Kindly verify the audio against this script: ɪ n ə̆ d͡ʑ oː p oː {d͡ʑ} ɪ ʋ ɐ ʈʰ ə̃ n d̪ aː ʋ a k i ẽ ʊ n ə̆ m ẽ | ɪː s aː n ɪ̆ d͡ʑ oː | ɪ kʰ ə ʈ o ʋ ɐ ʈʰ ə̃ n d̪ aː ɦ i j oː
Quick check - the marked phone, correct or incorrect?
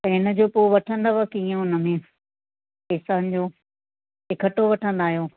incorrect